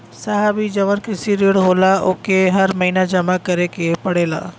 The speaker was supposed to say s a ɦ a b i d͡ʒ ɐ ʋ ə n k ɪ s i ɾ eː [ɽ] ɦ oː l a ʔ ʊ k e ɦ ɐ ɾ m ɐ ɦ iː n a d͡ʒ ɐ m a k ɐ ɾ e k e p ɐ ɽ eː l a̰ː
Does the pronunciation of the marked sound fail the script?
no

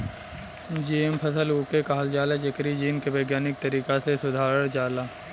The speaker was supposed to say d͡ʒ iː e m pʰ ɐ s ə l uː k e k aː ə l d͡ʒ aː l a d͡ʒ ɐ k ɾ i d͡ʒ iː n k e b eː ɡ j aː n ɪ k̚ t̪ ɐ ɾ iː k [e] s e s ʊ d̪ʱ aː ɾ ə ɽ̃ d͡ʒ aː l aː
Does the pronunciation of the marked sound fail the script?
yes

